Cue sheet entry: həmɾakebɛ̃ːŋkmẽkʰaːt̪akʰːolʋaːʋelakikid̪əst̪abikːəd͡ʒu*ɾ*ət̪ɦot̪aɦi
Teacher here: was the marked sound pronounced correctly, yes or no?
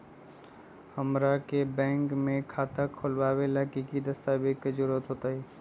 yes